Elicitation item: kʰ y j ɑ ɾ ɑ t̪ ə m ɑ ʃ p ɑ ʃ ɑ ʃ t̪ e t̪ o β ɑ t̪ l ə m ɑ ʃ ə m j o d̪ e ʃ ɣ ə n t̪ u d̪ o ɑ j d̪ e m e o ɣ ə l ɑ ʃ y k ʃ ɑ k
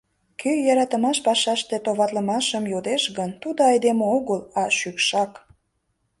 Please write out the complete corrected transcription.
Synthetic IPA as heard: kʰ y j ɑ ɾ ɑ t̪ ə m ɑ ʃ p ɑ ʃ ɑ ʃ t̪ e t̪ o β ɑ t̪ l ə m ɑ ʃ ə m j o d̪ e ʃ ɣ ə n t̪ u d̪ o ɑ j d̪ e m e o ɣ ə l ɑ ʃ y k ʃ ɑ k